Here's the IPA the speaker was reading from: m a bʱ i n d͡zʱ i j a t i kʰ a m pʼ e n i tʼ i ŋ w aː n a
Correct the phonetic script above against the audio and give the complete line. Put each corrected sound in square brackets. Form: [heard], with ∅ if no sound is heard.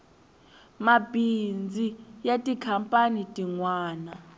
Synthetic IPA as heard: m a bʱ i n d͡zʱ i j a [tʼ] i kʰ a m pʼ [a] n i tʼ i ŋ w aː n a